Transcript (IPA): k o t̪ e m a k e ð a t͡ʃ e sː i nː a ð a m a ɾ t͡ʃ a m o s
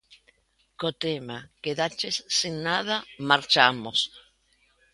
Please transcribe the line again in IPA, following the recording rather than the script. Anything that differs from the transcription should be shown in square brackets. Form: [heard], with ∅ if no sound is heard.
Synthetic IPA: k o t̪ e m a k e ð a t͡ʃ e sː i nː a ð a m a ɾ t͡ʃ a m o s